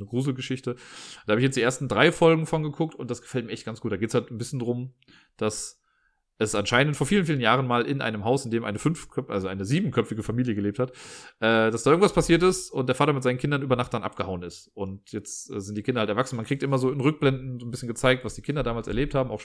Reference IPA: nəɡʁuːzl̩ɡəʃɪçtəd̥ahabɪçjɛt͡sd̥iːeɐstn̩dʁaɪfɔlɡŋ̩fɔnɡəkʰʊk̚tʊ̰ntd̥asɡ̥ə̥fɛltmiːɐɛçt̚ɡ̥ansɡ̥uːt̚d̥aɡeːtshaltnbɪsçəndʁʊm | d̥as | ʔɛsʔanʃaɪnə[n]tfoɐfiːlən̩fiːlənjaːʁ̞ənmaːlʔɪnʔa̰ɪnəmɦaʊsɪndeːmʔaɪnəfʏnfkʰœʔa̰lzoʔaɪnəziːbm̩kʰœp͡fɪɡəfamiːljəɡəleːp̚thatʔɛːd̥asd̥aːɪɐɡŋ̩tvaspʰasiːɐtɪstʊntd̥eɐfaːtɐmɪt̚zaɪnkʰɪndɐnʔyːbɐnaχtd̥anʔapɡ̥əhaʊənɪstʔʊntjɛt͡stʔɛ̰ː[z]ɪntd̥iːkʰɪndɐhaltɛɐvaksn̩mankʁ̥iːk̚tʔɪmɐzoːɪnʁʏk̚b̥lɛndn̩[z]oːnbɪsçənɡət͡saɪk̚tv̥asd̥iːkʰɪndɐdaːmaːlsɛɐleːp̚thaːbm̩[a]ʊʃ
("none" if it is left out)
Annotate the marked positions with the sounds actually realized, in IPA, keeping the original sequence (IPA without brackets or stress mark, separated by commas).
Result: n, z, z, a